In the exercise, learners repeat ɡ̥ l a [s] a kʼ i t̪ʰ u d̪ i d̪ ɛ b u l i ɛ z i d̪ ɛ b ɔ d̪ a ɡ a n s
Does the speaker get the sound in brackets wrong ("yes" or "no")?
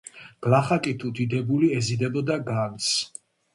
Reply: yes